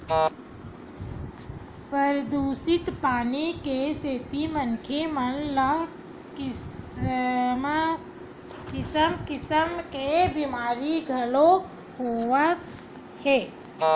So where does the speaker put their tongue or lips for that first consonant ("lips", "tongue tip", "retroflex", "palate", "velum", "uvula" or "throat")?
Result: lips